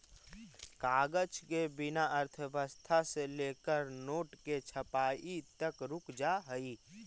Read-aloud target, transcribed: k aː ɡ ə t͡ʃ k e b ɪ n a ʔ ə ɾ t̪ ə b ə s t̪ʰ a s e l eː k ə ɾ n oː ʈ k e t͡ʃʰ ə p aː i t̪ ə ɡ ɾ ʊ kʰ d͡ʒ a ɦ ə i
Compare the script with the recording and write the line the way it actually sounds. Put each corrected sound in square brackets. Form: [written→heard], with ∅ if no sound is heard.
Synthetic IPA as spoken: k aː ɡ ə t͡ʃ k e b ɪ n a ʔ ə ɾ [t̪→t̪ʰ] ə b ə s t̪ʰ a s e l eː k ə ɾ n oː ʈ k e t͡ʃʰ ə p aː i t̪ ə [ɡ→k] ɾ ʊ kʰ d͡ʒ a ɦ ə i